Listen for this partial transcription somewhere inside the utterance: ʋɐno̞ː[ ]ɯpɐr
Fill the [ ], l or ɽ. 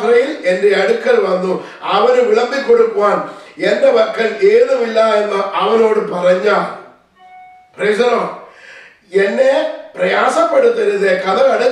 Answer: ɽ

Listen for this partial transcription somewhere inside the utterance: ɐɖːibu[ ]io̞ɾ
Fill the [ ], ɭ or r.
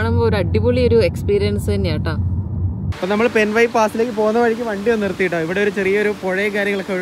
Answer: ɭ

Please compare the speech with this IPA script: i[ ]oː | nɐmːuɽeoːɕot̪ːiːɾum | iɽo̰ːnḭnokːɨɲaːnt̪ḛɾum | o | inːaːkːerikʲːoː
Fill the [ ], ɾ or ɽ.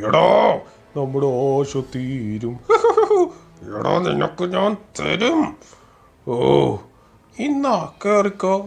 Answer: ɽ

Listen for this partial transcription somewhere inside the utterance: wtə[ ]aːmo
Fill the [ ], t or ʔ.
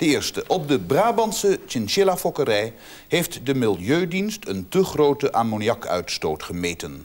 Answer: ʔ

